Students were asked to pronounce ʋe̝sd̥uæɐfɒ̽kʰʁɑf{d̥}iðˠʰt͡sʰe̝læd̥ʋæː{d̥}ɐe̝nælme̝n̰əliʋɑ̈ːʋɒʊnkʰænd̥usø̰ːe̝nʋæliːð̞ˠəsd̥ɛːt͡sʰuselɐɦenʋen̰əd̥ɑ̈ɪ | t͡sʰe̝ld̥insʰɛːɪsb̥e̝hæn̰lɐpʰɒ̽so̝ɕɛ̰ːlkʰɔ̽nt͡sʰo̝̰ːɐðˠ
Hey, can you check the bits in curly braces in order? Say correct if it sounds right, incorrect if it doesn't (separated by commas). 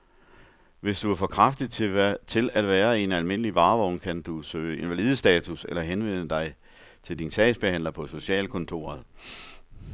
correct, incorrect